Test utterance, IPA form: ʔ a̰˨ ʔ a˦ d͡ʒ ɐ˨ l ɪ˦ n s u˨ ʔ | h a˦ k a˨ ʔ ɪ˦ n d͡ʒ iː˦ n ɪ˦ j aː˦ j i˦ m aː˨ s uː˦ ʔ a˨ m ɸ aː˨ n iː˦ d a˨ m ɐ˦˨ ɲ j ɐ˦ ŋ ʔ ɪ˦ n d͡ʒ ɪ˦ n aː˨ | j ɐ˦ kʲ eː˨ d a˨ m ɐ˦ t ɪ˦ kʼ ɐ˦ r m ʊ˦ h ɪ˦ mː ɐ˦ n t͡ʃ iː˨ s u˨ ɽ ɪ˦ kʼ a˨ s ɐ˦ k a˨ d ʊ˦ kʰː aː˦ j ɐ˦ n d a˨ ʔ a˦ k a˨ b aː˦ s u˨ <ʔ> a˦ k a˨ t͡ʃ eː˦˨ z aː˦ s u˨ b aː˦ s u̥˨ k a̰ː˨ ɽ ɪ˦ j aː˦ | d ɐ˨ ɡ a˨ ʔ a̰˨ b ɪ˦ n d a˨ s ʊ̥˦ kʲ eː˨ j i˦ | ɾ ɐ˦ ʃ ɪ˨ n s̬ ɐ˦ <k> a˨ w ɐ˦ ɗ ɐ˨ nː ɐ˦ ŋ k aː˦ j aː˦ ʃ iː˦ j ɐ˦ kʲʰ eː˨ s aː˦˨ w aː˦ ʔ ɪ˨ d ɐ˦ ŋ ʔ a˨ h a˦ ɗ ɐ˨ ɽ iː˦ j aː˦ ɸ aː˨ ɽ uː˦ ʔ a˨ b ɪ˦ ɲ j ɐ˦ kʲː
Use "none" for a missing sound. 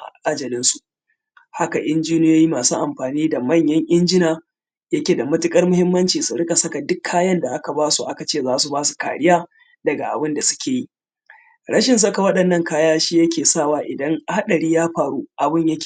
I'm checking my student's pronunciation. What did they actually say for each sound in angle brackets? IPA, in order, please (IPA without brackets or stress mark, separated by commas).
ʔ, k